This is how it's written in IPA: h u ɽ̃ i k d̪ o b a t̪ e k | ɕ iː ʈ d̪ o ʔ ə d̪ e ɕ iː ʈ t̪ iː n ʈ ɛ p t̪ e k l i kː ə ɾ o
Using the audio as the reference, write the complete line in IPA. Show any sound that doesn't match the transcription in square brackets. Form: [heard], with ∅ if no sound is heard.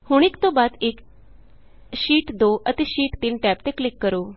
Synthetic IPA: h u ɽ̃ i k [t̪] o b a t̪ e k | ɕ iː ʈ d̪ o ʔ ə [t̪] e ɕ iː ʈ t̪ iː n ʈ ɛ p t̪ e k l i kː ə ɾ o

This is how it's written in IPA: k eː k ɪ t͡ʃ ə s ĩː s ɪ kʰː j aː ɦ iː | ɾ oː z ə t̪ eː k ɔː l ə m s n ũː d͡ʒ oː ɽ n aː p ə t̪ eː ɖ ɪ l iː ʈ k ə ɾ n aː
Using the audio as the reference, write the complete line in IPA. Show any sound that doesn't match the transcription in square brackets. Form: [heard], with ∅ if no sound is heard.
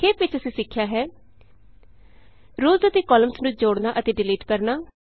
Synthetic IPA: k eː [p] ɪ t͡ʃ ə s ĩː s ɪ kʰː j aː ɦ [ɛː] | ɾ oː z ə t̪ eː k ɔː l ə m s n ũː d͡ʒ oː ɽ n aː [ʔ] ə t̪ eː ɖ ɪ l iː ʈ k ə ɾ n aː

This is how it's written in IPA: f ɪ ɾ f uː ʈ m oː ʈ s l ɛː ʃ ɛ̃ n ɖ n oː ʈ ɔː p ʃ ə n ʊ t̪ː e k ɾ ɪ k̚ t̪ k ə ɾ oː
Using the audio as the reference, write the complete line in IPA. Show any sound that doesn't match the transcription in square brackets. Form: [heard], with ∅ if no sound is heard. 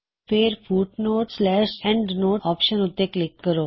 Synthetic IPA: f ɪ ɾ f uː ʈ [n] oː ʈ s l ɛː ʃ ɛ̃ [ɳ] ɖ n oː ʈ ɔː p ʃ ə n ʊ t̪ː e k [l] ɪ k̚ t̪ k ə ɾ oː

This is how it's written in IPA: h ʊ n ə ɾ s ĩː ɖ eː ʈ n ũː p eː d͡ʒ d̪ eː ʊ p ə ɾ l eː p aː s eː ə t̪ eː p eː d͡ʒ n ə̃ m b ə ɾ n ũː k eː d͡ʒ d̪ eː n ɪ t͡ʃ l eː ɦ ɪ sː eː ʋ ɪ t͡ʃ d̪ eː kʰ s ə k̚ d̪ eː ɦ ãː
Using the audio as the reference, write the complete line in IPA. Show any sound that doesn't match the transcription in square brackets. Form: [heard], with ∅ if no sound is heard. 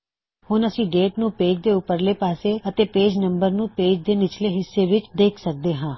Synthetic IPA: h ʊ n ə [∅] s ĩː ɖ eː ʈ n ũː p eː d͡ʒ d̪ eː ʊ p ə ɾ l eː p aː s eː ə t̪ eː p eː d͡ʒ n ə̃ m b ə ɾ n ũː [p] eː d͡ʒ d̪ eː n ɪ t͡ʃ l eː ɦ ɪ sː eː ʋ ɪ t͡ʃ d̪ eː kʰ s ə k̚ d̪ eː ɦ ãː

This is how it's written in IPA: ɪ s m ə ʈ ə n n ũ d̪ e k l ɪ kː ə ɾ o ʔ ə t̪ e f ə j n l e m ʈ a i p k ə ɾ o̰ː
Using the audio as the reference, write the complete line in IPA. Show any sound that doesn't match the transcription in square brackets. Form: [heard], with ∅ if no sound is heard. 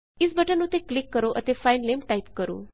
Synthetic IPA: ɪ s [b] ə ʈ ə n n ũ [t̪] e k l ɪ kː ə ɾ o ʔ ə t̪ e f [a] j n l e m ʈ a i p k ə ɾ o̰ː

